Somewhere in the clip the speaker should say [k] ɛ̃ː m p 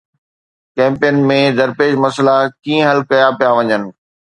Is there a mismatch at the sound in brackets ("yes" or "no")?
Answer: no